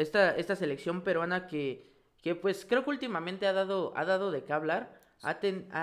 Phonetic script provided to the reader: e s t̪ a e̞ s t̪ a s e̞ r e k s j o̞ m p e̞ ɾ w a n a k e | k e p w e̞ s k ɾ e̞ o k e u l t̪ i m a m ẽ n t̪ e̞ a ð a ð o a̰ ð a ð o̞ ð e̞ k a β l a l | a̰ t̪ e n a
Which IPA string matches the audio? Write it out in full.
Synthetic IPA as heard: e s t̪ a e̞ s t̪ a s e̞ l e k s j o̞ m p e̞ ɾ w a n a k e | k e p w e̞ s k ɾ e̞ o k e u l t̪ i m a m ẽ n t̪ e̞ a ð a ð o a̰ ð a ð o̞ ð e̞ k a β l a ɾ | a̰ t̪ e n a